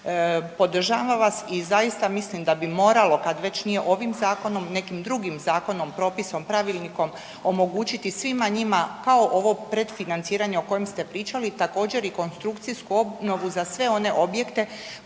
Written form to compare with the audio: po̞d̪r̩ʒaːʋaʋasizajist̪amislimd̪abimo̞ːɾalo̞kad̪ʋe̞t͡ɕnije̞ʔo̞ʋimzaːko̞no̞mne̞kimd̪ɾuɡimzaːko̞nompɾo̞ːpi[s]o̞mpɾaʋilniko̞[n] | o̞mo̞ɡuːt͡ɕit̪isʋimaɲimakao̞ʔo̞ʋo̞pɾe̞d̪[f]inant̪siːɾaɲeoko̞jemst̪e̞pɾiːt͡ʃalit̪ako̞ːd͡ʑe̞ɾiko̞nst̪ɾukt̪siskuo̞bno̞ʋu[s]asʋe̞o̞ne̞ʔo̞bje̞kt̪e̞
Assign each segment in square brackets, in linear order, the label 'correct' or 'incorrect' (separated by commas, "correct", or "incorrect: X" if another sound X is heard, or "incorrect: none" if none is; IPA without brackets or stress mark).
correct, incorrect: m, correct, incorrect: z